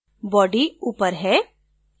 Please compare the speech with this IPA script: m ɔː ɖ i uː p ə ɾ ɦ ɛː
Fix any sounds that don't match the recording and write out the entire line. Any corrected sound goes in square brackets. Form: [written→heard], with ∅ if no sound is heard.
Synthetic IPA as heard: [m→b] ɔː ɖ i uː p ə ɾ ɦ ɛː